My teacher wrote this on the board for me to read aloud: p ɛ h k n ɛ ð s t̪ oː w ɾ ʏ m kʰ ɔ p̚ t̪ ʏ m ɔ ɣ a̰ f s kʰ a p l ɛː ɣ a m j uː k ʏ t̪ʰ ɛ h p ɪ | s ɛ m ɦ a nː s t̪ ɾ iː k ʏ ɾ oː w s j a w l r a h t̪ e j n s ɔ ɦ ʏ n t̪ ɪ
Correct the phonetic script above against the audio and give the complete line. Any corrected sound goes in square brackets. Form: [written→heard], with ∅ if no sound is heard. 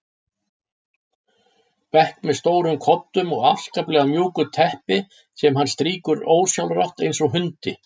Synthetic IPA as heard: p ɛ h k [n→m] ɛ ð s t̪ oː w ɾ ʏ m kʰ ɔ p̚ t̪ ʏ m ɔ ɣ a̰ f s [kʰ→k] a p l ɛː ɣ a m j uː k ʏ t̪ʰ ɛ h p ɪ | s ɛ m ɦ a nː s t̪ ɾ iː k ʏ ɾ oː w s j a w l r a h t̪ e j n s ɔ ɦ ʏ n t̪ ɪ